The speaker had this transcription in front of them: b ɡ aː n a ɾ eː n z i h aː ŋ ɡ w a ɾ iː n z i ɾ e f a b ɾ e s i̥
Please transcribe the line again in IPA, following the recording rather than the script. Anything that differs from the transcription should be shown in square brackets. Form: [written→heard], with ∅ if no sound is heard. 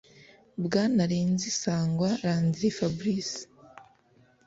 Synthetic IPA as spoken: b ɡ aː n a ɾ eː n z i [h→s] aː ŋ ɡ w a ɾ [iː→aː] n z i ɾ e f a b ɾ [e→i] s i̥